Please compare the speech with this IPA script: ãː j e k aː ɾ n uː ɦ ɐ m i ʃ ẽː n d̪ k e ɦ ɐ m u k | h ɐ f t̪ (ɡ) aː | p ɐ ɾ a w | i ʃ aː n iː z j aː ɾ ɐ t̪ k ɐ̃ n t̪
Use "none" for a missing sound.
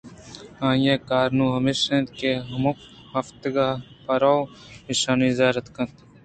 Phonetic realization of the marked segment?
ɡ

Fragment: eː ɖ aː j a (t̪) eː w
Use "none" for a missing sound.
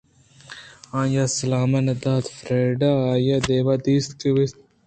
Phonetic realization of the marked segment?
d̪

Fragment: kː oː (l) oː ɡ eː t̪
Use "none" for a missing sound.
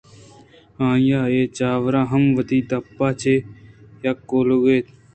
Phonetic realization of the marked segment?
l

